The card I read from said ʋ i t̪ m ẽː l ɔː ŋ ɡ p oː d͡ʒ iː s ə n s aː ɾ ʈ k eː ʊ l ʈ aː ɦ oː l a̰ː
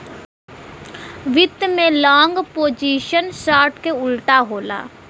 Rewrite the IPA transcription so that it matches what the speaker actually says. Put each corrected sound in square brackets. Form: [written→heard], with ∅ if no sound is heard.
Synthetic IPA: ʋ [i→ɪ] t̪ m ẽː l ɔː ŋ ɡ p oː d͡ʒ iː [s→ʃ] ə n s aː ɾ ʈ k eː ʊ l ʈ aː ɦ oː l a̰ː